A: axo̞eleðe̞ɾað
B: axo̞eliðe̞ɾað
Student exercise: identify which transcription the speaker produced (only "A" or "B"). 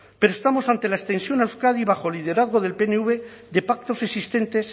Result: B